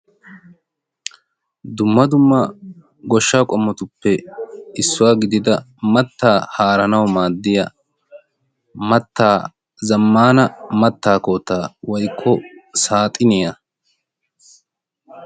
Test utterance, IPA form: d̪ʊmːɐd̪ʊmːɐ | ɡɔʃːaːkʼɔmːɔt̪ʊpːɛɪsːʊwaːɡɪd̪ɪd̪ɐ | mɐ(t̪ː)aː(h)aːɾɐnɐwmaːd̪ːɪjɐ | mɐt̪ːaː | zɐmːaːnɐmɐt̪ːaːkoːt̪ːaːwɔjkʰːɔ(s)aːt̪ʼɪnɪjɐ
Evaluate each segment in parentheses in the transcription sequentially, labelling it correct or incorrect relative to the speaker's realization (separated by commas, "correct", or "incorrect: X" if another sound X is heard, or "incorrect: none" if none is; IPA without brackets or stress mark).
correct, correct, correct